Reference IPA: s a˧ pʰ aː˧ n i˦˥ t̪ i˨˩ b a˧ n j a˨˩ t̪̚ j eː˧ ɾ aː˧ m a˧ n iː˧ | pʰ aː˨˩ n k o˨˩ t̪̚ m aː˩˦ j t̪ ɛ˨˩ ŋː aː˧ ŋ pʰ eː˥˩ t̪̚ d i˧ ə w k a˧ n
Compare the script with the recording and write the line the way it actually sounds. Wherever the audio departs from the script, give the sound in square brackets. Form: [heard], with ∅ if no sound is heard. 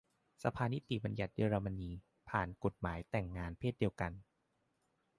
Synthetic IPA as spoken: s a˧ pʰ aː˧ n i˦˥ t̪ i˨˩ b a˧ n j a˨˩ t̪̚ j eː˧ ɾ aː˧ m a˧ n iː˧ | pʰ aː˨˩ n k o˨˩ t̪̚ m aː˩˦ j t̪ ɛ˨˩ ŋː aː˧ [n] pʰ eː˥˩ t̪̚ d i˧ ə w k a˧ n